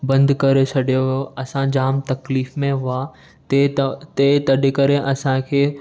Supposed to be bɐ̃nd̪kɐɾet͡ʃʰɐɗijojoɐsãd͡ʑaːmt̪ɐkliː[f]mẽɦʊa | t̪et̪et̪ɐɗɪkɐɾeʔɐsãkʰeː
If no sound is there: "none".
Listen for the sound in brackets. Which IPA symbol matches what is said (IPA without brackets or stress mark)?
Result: f